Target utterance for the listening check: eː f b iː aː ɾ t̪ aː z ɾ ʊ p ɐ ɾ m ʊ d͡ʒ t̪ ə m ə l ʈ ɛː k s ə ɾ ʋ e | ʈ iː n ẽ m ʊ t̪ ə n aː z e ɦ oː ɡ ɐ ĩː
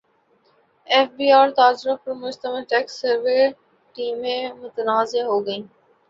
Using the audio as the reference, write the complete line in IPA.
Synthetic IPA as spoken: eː f b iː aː ɾ t̪ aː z ɾ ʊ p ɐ ɾ m ʊ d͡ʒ t̪ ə m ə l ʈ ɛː k s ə ɾ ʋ e | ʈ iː m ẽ m ʊ t̪ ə n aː z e ɦ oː ɡ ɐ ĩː